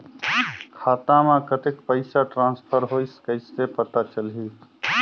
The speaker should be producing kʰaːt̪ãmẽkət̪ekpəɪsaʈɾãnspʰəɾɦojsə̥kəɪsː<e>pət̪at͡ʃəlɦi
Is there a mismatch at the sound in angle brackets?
no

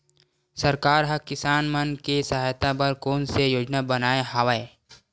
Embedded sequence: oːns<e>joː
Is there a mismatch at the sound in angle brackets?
no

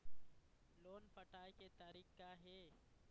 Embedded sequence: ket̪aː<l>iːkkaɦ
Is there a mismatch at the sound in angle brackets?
yes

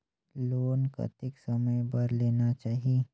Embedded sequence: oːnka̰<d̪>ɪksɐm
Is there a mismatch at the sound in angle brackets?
yes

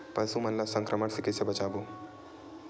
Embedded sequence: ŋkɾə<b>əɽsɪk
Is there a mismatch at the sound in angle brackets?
yes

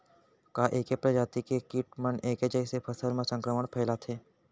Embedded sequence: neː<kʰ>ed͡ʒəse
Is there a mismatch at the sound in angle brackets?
yes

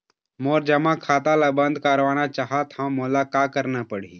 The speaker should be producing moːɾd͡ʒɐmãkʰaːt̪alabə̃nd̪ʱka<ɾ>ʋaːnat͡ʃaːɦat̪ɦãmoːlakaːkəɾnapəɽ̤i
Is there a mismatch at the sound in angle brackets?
no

